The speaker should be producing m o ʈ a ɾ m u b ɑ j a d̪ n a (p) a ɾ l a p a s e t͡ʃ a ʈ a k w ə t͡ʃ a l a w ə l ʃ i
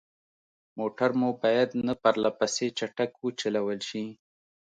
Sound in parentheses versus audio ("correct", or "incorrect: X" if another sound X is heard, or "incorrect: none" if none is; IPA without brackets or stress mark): correct